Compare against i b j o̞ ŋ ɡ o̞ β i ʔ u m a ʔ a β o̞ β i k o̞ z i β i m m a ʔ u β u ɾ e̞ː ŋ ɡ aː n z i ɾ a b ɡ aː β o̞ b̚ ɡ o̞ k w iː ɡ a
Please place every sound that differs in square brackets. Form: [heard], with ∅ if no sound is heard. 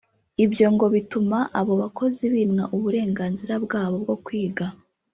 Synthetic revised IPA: i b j o̞ ŋ ɡ o̞ β i [t] u m a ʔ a β o̞ β [a] k o̞ z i β i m [ŋ] a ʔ u β u ɾ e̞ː ŋ ɡ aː n z i ɾ a b ɡ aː β o̞ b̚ ɡ o̞ k w iː ɡ a